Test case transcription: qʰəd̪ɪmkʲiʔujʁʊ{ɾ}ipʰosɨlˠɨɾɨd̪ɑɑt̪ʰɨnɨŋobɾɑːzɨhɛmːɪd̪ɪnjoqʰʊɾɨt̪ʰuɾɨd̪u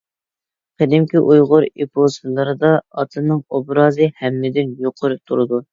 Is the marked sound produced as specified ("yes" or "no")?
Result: yes